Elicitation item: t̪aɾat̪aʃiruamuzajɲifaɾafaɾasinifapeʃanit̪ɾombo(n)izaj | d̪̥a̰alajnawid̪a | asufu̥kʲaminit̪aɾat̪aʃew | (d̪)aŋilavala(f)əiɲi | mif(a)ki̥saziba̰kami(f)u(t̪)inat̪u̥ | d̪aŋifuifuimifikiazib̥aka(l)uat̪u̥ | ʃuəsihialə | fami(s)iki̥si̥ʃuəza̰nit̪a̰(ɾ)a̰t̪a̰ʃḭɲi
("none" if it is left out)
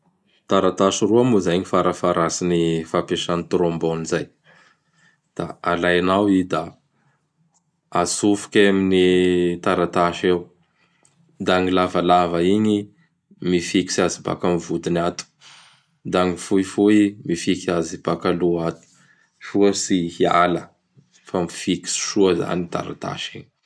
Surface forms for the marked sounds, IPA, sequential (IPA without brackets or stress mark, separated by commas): n, d̪, v, i, v, d̪, l, f, ɾ